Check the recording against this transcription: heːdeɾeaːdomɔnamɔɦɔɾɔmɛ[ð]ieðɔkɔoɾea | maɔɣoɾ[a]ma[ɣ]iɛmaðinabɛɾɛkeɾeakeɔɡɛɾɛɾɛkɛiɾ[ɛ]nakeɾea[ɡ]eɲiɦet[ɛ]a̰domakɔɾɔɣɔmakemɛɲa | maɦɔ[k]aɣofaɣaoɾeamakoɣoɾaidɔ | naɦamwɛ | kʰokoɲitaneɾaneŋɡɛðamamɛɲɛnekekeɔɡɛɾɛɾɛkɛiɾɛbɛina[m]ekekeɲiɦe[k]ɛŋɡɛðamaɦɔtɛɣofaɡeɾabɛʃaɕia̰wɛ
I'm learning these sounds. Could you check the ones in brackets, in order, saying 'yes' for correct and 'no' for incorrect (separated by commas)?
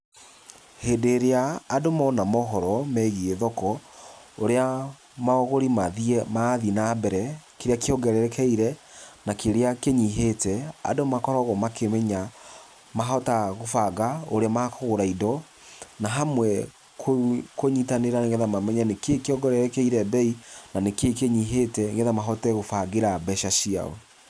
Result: no, no, no, yes, no, yes, no, no, no